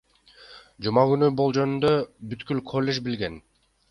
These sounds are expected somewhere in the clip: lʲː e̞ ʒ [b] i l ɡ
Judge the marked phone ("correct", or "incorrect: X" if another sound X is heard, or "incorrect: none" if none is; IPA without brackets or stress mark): correct